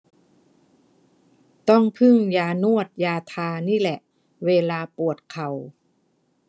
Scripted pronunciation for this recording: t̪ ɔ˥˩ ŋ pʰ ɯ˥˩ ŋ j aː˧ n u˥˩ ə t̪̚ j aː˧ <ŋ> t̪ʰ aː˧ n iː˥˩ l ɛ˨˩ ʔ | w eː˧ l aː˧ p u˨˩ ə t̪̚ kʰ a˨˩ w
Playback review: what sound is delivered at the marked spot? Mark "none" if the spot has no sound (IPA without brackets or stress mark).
none